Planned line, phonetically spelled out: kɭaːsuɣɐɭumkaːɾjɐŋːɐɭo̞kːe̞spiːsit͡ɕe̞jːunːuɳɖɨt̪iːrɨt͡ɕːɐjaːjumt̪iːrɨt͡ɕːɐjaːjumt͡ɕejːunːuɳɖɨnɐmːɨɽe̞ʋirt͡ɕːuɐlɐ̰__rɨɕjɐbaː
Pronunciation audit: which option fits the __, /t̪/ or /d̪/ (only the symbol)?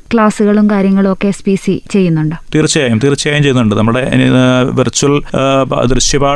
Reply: d̪